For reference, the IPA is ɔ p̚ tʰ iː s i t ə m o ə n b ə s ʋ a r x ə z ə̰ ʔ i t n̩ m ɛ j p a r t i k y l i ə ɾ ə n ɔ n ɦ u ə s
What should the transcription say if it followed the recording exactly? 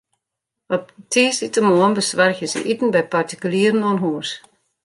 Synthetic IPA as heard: ɔ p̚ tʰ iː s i t ə m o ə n b ə s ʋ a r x ə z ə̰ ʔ i t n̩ b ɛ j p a r t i k y l i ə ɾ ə n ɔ n ɦ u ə s